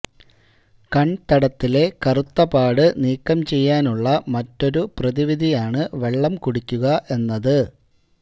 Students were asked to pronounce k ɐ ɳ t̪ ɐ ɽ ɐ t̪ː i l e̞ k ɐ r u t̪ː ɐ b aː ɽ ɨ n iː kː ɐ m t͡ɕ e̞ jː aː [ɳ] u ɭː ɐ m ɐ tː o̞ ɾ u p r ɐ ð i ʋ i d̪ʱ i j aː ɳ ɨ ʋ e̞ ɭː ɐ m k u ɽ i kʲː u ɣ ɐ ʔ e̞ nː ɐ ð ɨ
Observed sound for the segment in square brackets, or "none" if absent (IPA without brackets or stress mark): n